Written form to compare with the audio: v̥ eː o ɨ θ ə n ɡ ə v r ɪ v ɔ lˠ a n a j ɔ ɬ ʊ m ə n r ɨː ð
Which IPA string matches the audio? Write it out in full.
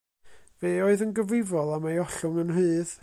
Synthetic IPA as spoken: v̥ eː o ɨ ð ə n ɡ ə v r ɪ v ɔ lˠ a m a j ɔ ɬ ʊ ŋ ə n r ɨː ð